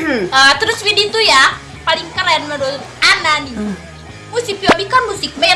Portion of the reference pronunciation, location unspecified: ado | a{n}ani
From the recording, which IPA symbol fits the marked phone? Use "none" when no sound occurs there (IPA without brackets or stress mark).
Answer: n